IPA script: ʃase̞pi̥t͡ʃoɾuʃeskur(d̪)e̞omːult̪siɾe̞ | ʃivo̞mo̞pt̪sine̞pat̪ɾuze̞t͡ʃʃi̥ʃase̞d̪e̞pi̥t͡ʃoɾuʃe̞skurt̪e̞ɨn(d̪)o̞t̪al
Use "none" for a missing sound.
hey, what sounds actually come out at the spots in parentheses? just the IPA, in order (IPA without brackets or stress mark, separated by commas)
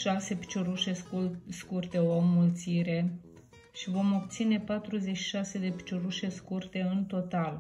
t̪, t̪